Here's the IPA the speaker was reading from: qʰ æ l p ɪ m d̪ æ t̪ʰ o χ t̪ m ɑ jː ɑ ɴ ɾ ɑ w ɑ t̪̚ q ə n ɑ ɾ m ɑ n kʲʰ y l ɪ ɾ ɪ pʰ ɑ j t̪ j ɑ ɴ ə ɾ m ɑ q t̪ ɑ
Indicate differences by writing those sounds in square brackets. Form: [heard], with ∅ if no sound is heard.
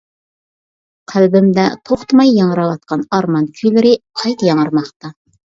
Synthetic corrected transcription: qʰ æ l [b] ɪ m d̪ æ t̪ʰ o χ t̪ m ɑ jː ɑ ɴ ɾ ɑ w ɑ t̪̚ q [ɑ] n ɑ ɾ m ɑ n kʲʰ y l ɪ ɾ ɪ [qʰ] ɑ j t̪ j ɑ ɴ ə ɾ m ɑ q t̪ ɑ